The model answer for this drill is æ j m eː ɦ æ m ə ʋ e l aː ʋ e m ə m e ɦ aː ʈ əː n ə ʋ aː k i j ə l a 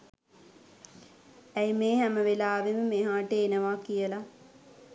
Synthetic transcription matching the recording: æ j m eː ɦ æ m ə ʋ e l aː ʋ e m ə m e ɦ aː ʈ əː n ə ʋ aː k i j ə l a

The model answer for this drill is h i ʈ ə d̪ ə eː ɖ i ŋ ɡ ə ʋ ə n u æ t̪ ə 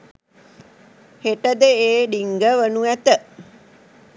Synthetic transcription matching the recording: h e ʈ ə d̪ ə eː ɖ i ŋ ɡ ə ʋ ə n u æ t̪ ə

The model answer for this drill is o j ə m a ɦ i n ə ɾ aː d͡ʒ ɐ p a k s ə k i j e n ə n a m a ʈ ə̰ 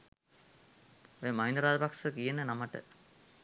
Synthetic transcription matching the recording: o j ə m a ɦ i n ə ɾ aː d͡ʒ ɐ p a k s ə k i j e n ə n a m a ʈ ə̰

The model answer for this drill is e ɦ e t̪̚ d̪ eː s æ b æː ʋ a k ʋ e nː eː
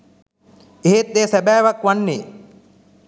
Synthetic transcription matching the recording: e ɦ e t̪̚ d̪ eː s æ b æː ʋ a k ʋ a nː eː

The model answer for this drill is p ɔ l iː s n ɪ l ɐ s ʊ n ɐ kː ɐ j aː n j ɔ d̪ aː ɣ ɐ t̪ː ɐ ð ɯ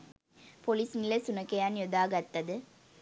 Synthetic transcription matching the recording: p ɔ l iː s n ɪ l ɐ s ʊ n ɐ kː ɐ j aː n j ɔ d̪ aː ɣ ɐ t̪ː ɐ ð ɯ

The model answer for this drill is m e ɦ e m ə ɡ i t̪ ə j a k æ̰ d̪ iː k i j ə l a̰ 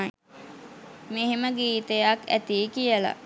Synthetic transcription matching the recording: m e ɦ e m ə ɡ iː t̪ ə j a k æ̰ t̪ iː k i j ə l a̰

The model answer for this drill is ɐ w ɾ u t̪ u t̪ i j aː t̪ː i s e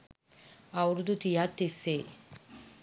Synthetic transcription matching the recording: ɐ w ɾ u d̪ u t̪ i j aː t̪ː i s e

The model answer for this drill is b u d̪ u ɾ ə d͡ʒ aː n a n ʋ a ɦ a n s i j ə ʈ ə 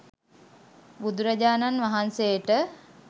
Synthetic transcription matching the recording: b u d̪ u ɾ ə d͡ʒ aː n a n ʋ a ɦ a n s e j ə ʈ ə

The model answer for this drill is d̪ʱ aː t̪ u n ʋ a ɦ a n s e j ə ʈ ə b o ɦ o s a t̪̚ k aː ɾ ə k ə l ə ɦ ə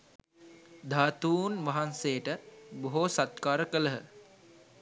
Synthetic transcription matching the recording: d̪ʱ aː t̪ uː n ʋ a ɦ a n s e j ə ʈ ə b o ɦ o s a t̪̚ k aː ɾ ə k ə l ə ɦ ə

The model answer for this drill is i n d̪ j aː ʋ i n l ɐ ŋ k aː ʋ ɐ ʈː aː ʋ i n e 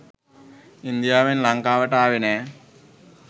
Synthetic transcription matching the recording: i n d̪ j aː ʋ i n l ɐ ŋ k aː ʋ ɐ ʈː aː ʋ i n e

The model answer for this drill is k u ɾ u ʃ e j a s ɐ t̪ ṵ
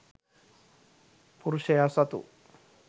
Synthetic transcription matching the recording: p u ɾ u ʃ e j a s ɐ t̪ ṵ

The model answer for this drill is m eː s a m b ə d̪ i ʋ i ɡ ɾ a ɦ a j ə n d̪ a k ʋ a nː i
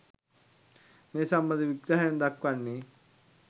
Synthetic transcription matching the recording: m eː s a m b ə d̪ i ʋ i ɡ ɾ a ɦ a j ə n d̪ a k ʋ a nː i

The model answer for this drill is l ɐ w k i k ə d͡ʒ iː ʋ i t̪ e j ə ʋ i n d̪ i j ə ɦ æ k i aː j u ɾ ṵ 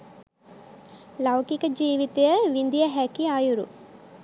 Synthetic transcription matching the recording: l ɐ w k i k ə d͡ʒ iː ʋ i t̪ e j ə ʋ i n d̪ i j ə ɦ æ k i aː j u ɾ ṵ

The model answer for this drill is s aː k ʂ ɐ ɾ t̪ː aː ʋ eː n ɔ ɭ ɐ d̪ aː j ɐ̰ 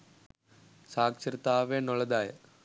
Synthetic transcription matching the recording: s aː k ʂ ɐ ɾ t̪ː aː ʋ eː n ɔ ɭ ɐ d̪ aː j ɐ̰

